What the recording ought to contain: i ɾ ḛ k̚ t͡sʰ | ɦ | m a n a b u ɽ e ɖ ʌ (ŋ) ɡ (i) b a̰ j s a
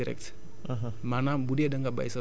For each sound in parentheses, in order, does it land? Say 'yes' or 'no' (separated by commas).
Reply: yes, no